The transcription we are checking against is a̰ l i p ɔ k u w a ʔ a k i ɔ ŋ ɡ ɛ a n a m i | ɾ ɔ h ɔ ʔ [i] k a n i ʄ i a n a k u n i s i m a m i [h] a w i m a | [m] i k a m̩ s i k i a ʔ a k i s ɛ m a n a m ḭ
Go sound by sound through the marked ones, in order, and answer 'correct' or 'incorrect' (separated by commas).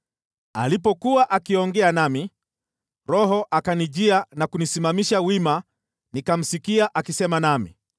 incorrect, incorrect, incorrect